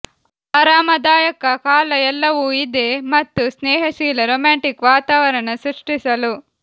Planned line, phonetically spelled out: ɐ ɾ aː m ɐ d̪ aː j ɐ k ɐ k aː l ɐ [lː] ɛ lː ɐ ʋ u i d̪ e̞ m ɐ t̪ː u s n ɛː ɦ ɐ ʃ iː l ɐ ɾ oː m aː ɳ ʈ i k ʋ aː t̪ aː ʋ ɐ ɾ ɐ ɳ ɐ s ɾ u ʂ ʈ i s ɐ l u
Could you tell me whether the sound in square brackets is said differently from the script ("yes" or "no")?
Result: yes